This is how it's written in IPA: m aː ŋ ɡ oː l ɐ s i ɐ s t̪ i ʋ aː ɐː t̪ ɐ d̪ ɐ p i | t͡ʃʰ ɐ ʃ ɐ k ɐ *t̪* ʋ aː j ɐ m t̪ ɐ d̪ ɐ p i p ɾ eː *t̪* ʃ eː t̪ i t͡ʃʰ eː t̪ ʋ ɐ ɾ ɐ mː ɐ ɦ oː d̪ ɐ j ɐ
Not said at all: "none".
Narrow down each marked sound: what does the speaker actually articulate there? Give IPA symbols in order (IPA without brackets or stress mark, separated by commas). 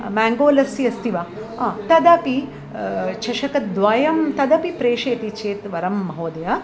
d̪, none